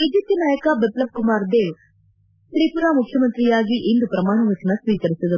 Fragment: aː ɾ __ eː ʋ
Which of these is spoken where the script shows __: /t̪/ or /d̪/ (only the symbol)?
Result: d̪